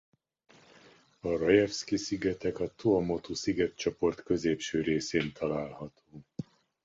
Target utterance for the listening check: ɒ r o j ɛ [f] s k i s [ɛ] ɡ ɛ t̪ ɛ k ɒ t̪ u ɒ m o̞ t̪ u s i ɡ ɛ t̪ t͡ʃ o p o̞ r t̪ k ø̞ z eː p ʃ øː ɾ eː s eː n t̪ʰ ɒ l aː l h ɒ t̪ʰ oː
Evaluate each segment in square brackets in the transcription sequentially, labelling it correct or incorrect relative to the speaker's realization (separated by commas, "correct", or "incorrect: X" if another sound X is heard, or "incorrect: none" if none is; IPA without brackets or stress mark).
correct, incorrect: i